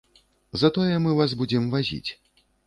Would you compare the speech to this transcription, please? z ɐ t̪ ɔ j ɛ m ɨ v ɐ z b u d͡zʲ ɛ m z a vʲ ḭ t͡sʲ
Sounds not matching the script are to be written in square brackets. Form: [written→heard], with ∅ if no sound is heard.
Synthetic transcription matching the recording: z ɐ t̪ ɔ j ɛ m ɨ v [ɐ→a] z b u d͡zʲ ɛ m [z→v] a [vʲ→zʲ] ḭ t͡sʲ